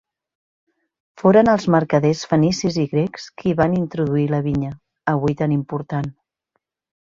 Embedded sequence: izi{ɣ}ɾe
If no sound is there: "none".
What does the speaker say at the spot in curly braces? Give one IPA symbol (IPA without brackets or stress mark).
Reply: ɣ